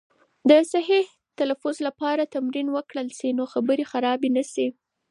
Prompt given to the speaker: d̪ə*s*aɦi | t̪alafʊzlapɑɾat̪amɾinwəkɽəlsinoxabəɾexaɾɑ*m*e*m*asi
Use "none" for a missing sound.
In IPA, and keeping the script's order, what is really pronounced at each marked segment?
s, b, n

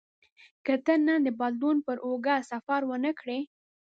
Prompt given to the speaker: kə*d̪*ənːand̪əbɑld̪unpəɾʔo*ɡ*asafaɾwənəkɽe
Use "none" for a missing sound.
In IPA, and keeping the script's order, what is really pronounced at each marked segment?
t̪, ɡ

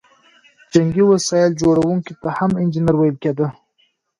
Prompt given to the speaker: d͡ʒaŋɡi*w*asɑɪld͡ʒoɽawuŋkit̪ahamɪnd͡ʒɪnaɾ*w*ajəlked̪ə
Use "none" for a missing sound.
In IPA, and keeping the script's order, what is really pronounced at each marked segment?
w, w

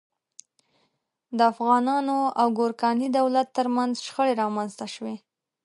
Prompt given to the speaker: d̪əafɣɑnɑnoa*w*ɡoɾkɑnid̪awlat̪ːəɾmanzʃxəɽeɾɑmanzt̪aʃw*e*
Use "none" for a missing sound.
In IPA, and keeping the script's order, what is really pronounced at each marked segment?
w, e

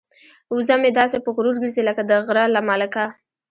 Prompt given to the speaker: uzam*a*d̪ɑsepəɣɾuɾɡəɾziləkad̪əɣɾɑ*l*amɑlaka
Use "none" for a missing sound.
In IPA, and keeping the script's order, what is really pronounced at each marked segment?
e, l

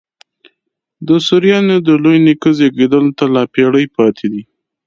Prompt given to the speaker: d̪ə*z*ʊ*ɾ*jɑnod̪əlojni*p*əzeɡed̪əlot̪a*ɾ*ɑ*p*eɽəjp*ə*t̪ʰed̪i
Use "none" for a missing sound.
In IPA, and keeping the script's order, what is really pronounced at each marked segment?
s, ɾ, k, l, p, ɑ

